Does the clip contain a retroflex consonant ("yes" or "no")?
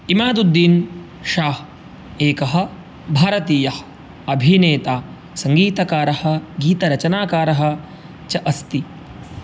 no